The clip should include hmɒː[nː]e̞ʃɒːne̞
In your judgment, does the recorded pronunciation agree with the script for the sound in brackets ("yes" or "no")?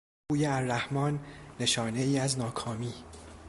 yes